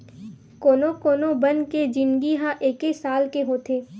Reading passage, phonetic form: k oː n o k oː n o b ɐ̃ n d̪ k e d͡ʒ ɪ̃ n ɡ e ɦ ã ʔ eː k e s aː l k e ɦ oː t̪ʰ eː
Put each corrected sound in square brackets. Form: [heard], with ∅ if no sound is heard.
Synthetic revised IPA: k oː n o k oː n o b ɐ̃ n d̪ k e d͡ʒ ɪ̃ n ɡ [i] ɦ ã ʔ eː k e s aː l k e ɦ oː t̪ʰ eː